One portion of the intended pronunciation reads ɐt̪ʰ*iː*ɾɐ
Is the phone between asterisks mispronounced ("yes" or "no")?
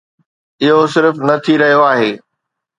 yes